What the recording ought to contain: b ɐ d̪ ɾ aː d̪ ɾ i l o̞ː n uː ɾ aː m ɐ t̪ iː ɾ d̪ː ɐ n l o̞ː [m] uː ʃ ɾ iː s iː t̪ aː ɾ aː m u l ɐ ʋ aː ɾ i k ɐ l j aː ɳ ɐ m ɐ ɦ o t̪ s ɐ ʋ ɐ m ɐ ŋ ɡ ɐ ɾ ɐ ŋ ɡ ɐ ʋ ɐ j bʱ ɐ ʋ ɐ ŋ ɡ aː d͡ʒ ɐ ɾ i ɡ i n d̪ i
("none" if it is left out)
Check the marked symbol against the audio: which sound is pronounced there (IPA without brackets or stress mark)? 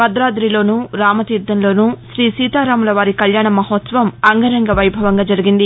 n